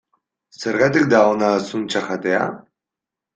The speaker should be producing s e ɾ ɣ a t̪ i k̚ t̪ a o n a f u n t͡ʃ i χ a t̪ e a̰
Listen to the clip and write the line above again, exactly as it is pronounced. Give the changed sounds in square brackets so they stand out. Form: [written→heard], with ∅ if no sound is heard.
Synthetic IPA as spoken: s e ɾ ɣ a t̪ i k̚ [t̪→d̪] a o n a [f→s] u n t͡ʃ [i→a] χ a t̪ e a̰